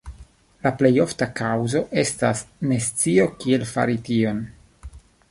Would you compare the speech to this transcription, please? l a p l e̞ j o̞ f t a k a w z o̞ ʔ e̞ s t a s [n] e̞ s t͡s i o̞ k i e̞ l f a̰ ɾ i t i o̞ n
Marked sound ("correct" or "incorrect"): correct